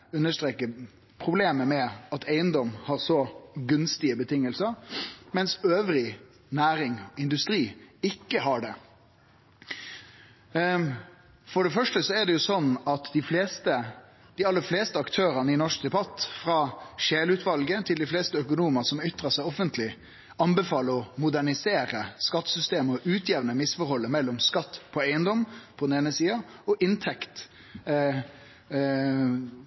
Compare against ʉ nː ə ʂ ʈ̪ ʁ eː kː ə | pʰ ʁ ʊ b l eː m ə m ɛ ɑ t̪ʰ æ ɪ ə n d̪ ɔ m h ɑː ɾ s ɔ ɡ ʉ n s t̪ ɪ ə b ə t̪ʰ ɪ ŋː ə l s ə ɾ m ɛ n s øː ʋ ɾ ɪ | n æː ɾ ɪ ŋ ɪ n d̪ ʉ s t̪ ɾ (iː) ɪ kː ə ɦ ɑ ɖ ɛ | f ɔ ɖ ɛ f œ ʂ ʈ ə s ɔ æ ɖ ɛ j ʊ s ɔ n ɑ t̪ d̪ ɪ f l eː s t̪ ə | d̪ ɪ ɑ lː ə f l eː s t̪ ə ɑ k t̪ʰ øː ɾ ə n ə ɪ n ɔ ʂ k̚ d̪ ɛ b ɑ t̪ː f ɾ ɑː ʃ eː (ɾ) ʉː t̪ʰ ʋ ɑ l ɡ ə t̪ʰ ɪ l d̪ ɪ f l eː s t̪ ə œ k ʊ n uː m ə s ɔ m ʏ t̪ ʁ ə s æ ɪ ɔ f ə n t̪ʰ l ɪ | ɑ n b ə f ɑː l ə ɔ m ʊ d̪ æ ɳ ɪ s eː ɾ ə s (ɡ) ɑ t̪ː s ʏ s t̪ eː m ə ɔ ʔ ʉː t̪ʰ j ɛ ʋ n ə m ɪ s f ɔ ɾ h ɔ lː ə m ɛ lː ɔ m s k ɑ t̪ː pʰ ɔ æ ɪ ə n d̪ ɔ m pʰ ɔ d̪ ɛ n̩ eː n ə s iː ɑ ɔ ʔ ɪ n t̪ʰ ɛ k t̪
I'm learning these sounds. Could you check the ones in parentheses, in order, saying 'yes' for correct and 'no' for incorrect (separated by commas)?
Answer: yes, no, no